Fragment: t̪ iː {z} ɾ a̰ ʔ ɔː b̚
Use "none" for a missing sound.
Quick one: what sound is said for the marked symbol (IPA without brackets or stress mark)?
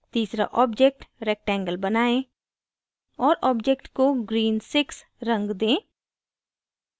s